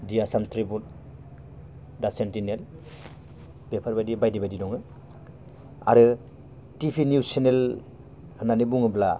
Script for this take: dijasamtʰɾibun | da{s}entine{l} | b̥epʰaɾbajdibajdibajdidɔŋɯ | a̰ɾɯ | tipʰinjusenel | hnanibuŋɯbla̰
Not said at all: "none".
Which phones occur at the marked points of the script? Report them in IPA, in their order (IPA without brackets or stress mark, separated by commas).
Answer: s, l